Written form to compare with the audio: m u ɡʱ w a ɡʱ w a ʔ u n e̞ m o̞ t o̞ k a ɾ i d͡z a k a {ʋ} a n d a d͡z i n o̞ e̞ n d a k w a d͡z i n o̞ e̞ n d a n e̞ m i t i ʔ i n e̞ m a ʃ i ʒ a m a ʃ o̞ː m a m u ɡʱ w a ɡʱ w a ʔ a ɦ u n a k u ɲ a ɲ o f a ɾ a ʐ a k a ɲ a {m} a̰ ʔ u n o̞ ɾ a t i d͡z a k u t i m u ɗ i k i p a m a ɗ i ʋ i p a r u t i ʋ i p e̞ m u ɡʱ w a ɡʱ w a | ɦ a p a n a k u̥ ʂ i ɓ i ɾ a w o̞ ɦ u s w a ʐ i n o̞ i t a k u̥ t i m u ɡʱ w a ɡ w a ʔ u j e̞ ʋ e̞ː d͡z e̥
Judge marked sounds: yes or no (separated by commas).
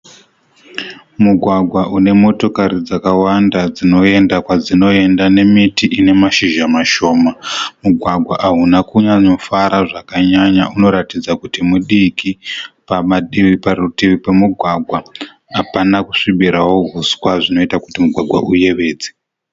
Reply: no, no